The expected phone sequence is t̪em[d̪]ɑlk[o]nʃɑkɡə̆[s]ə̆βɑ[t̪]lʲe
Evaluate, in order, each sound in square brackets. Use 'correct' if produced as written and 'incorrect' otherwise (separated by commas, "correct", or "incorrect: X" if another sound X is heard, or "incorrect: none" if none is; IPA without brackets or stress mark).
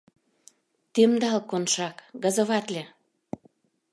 correct, correct, incorrect: z, correct